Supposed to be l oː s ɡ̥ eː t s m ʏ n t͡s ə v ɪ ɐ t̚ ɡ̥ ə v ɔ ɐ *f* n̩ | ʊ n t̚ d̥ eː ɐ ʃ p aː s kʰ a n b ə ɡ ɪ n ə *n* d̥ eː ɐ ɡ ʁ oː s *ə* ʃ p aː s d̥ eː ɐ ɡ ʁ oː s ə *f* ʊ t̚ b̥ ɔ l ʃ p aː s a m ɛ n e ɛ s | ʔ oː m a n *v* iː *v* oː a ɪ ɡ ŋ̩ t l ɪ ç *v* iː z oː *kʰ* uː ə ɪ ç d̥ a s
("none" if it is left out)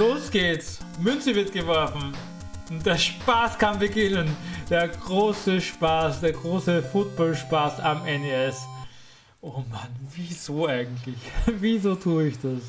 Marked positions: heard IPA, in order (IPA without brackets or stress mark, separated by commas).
f, n, ə, f, v, z, v, tʰ